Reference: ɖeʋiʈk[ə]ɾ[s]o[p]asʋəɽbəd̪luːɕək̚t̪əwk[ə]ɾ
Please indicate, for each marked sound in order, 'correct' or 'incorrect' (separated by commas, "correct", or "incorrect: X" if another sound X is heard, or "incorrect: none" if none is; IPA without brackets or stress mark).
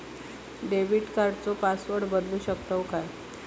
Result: incorrect: a, incorrect: t͡s, correct, incorrect: a